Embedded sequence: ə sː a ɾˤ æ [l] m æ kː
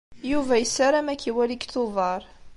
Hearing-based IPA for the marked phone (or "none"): none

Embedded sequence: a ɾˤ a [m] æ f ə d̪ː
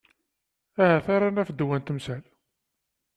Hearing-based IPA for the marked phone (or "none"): n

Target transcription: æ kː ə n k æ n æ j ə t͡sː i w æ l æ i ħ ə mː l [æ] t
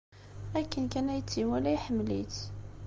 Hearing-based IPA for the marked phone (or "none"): i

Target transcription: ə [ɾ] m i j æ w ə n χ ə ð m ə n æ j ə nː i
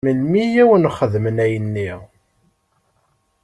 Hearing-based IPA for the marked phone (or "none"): l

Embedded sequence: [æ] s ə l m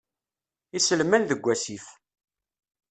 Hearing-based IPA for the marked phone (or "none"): i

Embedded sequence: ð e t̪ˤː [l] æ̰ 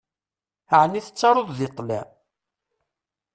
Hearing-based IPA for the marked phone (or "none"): l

